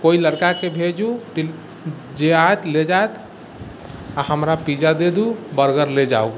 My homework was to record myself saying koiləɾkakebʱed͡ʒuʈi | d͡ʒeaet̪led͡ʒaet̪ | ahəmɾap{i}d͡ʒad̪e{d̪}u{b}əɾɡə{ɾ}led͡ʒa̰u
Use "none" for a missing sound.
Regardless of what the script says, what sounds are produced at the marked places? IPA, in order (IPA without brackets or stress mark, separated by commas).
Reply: i, d̪, b, ɾ